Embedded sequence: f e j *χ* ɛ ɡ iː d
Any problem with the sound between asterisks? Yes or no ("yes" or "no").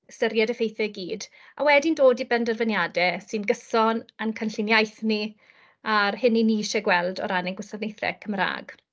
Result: yes